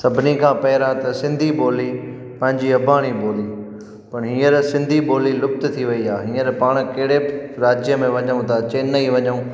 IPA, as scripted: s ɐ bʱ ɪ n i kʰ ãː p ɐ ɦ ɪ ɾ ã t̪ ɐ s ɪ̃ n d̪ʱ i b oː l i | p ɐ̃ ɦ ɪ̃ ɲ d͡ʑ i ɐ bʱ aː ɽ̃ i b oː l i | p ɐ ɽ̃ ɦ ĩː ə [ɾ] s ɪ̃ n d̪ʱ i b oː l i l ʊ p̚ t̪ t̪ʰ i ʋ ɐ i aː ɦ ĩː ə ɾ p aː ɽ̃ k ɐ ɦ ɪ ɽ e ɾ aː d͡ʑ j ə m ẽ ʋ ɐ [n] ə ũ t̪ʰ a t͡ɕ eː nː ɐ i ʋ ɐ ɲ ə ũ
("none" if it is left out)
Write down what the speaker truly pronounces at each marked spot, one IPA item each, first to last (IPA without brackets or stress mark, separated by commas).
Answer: ɾ, ɲ